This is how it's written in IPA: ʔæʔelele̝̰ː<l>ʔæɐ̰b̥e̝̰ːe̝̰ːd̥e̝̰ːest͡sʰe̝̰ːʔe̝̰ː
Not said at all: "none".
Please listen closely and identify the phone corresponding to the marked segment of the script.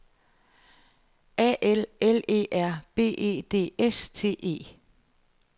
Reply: none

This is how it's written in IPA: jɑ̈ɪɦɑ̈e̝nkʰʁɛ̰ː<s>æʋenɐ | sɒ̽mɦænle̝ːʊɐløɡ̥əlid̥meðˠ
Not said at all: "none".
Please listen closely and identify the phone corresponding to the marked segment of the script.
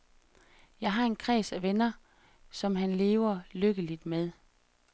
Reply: s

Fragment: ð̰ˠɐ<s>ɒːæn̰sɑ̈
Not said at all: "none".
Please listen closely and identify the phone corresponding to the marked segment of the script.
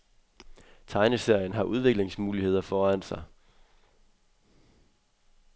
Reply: f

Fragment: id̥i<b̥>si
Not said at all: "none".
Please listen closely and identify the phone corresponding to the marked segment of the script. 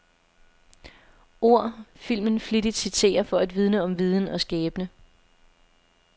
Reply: d̥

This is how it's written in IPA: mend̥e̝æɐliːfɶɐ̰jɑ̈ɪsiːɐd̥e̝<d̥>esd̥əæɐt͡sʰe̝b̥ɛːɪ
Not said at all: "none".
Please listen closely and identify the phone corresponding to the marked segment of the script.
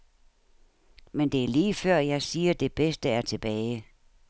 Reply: b̥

